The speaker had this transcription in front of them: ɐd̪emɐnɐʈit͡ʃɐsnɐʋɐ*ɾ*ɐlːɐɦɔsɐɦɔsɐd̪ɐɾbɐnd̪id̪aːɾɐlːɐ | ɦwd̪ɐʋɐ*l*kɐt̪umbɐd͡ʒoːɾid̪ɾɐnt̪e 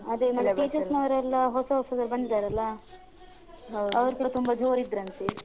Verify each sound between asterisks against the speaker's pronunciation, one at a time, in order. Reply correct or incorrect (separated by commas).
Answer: correct, incorrect